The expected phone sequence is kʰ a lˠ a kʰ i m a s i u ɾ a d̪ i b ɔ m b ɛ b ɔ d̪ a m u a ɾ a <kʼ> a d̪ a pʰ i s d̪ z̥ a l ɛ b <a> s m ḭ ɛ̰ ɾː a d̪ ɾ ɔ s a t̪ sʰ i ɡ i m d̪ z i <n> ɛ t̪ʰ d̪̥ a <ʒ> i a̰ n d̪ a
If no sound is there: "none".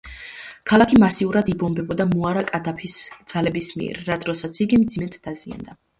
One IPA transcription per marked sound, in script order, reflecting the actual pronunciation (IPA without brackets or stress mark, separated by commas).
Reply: kʼ, i, m, z